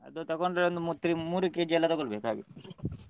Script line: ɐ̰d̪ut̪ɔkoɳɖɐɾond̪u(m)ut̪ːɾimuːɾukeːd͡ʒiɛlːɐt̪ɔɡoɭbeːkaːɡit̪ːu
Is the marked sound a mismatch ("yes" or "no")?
no